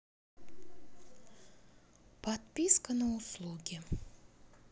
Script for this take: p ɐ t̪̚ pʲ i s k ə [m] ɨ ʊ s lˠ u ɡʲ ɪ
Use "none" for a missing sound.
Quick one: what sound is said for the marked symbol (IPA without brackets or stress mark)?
n